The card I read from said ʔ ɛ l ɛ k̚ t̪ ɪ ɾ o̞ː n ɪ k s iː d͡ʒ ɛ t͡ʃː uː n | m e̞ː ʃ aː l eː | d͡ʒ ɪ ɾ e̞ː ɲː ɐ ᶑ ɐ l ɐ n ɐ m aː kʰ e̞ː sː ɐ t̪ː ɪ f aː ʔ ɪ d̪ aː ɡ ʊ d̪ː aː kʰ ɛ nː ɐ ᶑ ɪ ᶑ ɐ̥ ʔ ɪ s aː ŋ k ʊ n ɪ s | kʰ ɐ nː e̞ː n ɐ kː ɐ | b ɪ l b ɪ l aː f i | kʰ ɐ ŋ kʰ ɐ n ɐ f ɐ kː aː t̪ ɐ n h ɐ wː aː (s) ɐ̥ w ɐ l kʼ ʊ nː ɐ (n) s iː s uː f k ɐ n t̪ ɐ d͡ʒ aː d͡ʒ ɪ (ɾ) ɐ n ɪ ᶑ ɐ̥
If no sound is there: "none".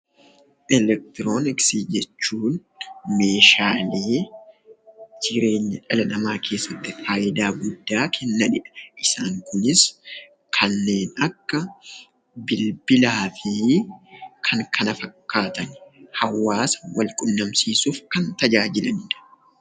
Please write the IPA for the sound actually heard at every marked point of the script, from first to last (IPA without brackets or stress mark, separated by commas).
s, m, l